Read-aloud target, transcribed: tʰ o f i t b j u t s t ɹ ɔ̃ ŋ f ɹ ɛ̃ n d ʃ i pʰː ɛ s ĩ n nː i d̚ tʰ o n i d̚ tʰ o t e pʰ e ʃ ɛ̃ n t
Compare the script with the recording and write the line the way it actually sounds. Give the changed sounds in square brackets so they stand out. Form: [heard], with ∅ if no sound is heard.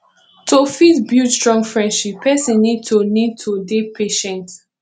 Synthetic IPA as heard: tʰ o f i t b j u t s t ɹ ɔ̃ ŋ f ɹ ɛ̃ n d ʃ i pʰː ɛ s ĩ n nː i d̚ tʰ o n i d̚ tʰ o [d] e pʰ e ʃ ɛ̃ n t